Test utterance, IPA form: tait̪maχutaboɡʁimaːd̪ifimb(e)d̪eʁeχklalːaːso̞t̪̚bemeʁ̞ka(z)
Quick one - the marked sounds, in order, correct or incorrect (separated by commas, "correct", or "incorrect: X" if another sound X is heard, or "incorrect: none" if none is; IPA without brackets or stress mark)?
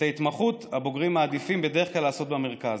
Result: correct, correct